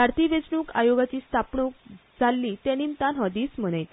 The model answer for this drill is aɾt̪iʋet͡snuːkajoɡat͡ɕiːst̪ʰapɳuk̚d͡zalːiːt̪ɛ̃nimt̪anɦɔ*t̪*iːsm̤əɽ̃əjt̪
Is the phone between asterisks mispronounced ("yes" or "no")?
yes